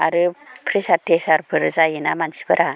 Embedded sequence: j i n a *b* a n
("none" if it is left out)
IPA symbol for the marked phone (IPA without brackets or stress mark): m